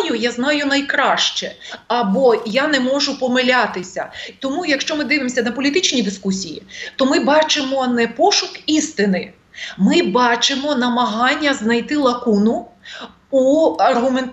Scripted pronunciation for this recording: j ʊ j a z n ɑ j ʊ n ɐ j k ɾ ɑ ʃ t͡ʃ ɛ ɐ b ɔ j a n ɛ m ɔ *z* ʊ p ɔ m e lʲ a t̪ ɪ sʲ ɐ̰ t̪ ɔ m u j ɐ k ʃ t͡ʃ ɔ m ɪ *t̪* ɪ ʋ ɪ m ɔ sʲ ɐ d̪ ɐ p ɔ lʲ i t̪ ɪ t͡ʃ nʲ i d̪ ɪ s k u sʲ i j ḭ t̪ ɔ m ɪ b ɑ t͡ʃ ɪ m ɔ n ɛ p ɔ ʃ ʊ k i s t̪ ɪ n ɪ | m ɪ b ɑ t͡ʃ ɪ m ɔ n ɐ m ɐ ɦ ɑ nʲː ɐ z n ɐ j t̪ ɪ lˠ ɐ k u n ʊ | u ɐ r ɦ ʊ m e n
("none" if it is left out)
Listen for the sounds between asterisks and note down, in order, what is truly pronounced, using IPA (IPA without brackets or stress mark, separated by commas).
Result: ʒ, d̪